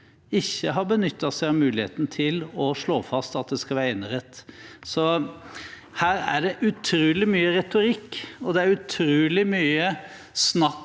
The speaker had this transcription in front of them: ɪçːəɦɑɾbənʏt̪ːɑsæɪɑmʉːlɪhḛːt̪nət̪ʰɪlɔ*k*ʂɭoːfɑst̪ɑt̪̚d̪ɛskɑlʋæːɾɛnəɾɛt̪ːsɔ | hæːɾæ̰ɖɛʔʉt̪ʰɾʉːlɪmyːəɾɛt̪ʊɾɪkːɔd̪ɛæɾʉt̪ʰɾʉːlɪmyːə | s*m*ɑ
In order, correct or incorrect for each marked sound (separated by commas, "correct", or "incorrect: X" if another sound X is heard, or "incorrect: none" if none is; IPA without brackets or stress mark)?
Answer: incorrect: none, incorrect: n